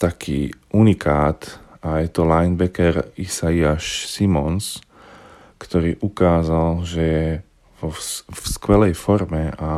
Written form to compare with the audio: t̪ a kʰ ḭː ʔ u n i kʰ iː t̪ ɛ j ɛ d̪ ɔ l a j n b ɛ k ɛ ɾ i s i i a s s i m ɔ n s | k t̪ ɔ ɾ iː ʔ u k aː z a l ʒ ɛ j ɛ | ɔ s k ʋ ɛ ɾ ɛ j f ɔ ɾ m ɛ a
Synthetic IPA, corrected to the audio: t̪ a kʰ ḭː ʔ u n i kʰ aː t̪ a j ɛ t̪ ɔ l a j n b ɛ k ɛ ɾ i s a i a ʃ s i m ɔ n s | k t̪ ɔ ɾ iː ʔ u k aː z a l ʒ ɛ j ɛ | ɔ s k ʋ ɛ l ɛ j f ɔ ɾ m ɛ a